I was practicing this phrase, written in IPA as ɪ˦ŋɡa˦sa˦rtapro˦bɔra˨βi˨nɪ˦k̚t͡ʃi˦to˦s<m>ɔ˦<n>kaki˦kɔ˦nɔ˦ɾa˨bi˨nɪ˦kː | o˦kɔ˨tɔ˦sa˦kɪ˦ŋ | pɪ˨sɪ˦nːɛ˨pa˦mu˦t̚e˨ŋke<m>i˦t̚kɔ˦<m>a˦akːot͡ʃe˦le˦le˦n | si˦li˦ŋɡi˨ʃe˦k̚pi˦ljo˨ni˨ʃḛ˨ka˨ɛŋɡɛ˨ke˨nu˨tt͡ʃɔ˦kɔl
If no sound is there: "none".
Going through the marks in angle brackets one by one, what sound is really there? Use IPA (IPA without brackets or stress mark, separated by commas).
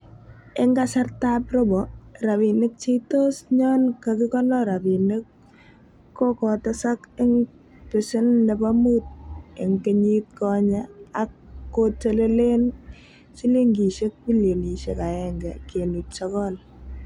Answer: ɲ, n, ɲ, ɲ